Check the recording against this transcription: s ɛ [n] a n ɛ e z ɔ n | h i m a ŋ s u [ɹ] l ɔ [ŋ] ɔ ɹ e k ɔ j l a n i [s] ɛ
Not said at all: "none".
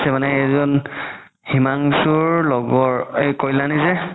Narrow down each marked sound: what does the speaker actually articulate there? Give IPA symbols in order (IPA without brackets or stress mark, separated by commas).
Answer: m, ɹ, ɡ, z